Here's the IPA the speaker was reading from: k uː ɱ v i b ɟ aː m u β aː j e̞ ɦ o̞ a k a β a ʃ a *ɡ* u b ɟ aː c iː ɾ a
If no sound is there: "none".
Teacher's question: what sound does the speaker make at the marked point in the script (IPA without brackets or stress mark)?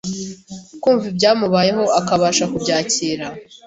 k